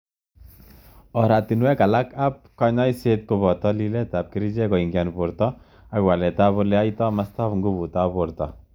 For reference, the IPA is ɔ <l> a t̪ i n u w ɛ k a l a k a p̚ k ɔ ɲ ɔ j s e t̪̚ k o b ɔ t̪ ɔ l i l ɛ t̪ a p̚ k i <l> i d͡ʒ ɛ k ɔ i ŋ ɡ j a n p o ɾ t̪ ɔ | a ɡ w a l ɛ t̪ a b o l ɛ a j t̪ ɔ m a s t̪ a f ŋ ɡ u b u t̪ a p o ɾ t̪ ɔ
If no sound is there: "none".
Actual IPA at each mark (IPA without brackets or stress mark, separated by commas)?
ɾ, ɾ